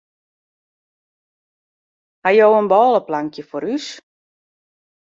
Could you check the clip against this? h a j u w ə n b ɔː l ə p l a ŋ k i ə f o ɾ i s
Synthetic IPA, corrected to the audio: h a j o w ə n b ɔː l ə p l a ŋ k j ə f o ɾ y s